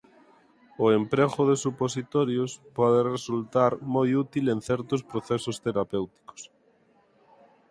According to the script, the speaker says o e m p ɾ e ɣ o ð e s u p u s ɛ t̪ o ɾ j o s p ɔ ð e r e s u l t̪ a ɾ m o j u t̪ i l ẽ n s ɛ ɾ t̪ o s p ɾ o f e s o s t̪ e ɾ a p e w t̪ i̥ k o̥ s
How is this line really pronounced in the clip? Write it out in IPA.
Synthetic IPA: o e m p ɾ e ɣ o ð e s u p o s i t̪ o ɾ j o s p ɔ ð e r e s u l t̪ a ɾ m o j u t̪ i l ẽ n θ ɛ ɾ t̪ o s p ɾ o θ e s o s t̪ e ɾ a p e w t̪ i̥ k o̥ s